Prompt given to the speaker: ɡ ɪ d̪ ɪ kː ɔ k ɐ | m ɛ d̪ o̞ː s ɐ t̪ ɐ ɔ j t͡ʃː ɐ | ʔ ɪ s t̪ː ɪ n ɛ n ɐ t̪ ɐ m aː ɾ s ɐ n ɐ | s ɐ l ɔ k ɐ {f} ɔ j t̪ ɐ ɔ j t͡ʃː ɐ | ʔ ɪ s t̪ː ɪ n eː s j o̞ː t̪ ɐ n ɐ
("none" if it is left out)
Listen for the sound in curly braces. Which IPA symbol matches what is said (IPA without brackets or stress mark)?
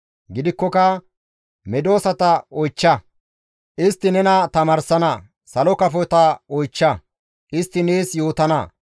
f